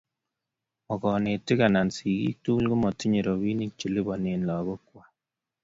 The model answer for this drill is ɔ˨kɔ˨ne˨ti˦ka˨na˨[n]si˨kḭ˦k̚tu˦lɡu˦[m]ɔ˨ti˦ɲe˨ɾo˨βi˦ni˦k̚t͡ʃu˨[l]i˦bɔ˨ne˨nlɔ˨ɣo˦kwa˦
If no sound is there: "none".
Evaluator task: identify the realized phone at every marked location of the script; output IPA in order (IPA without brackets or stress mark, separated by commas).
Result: n, m, l